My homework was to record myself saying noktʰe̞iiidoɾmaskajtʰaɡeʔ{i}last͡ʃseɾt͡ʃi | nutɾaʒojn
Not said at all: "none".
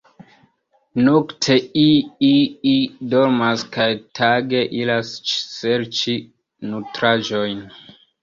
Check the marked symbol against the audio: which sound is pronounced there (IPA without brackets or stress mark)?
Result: i